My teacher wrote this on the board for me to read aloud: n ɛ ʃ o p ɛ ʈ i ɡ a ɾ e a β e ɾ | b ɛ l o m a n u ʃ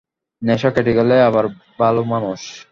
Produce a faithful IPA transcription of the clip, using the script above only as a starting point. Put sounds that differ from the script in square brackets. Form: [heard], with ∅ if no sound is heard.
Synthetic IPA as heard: n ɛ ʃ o [k] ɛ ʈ i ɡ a [l] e a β [a] ɾ | b [a] l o m a n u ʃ